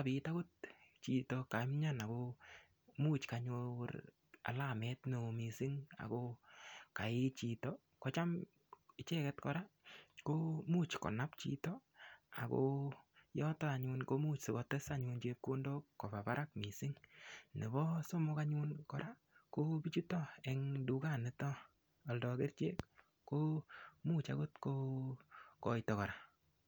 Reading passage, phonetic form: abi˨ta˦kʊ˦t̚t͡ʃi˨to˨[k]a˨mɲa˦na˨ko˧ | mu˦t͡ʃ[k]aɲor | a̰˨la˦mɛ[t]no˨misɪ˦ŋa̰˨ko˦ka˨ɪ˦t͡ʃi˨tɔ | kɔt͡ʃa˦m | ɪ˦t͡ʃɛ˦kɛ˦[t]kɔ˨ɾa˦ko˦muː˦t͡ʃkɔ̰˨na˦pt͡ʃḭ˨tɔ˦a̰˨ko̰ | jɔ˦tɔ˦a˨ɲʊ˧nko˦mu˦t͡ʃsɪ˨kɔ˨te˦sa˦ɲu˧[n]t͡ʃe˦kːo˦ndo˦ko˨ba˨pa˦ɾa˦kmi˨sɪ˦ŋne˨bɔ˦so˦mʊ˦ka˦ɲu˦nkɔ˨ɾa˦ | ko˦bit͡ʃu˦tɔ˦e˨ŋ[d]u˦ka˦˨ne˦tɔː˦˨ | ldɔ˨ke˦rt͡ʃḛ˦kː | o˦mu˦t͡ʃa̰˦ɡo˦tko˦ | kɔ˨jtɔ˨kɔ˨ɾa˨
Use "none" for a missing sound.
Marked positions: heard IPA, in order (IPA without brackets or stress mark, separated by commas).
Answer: k, k, t, t, n, d